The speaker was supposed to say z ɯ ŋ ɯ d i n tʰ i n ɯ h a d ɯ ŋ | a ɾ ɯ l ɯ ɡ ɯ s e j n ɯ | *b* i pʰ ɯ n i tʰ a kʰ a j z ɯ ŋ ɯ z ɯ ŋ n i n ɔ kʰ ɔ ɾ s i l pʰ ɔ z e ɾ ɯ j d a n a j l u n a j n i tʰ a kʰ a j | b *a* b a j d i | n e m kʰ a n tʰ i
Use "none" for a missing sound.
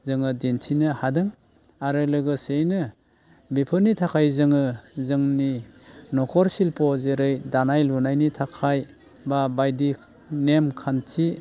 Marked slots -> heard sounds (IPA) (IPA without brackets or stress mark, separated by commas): b, a